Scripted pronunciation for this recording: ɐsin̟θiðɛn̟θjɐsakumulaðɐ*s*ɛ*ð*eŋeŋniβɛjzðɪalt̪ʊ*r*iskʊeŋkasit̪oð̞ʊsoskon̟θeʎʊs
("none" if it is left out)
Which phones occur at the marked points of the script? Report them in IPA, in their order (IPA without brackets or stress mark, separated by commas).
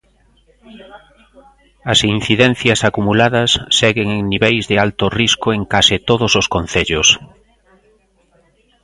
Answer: sː, ɣ, r